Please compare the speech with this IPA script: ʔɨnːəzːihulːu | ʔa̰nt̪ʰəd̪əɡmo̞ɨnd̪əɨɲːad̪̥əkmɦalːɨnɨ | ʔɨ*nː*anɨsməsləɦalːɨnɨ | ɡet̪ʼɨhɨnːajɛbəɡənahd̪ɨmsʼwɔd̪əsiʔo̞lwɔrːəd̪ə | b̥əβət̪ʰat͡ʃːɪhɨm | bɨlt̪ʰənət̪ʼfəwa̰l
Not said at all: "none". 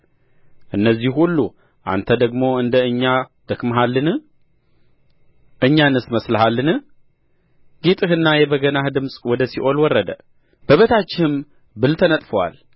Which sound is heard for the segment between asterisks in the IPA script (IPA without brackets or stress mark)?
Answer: ɲː